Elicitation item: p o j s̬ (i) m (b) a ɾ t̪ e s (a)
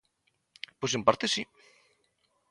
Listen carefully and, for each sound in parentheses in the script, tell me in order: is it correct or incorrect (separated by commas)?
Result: incorrect, incorrect, incorrect